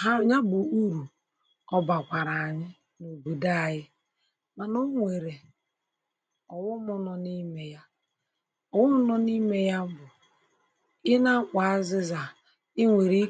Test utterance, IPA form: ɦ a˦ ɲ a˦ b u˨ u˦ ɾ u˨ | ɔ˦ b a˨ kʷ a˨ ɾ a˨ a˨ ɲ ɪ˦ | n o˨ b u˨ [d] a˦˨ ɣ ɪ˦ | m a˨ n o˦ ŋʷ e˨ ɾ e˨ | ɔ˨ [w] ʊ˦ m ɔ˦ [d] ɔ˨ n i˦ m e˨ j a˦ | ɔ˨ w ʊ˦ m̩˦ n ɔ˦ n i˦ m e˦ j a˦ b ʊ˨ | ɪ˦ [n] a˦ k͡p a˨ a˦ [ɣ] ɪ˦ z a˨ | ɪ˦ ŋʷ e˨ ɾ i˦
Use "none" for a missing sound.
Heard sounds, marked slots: d, w, n, n, z

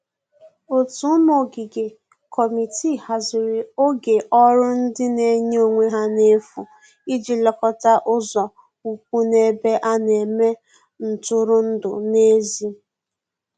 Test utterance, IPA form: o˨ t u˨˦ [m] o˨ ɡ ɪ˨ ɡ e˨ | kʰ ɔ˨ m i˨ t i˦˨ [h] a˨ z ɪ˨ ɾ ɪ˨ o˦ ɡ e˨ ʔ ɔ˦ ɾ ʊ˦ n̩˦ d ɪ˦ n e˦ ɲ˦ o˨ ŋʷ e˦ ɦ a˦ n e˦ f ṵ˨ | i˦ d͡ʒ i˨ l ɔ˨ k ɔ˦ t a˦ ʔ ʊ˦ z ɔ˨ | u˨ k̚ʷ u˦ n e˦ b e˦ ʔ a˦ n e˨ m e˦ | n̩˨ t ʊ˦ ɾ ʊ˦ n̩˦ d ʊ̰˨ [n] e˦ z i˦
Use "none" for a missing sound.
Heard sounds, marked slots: m, h, n

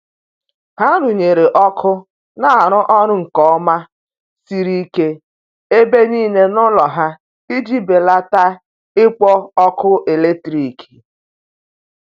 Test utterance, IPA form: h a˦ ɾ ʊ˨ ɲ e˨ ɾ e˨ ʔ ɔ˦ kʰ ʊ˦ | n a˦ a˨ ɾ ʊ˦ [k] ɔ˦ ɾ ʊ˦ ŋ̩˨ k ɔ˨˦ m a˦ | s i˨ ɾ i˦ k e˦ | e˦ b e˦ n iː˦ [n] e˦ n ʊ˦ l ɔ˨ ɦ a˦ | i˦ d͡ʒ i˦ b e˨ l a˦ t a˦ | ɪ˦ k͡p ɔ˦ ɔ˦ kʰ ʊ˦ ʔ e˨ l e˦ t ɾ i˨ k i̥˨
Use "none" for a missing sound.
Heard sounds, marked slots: ʔ, n

